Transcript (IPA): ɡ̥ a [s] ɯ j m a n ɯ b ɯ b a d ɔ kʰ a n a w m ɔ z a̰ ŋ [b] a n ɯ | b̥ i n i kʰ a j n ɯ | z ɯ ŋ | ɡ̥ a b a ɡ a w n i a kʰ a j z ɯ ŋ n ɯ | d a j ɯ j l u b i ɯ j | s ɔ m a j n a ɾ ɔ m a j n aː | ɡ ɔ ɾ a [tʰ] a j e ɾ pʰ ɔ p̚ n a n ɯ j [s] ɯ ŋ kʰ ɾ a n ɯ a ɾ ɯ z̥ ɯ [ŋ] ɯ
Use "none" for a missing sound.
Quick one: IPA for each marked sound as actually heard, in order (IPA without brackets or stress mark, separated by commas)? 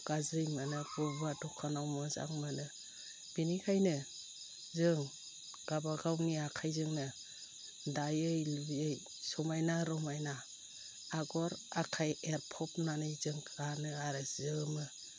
z, m, kʰ, z, m